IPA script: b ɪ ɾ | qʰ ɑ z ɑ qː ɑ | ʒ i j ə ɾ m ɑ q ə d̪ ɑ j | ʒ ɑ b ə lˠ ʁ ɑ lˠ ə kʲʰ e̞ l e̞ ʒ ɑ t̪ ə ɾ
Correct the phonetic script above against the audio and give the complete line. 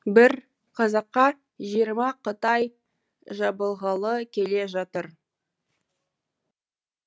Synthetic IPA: b ɪ ɾ | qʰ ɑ z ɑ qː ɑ | ʒ i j ə ɾ m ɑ q ə t̪ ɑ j | ʒ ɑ b ə lˠ ʁ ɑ lˠ ə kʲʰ e̞ l e̞ ʒ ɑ t̪ ə ɾ